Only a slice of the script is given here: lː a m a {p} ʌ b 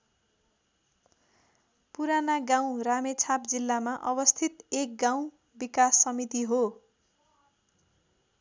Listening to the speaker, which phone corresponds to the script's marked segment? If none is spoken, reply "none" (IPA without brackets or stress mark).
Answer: ʔ